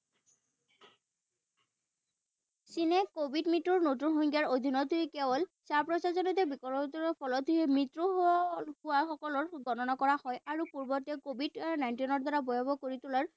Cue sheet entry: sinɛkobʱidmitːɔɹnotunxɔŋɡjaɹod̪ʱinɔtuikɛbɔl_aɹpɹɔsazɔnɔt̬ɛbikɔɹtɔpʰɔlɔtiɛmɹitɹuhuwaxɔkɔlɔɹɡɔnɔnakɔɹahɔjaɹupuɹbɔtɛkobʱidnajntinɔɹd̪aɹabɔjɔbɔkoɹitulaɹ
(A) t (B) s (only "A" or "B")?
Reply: B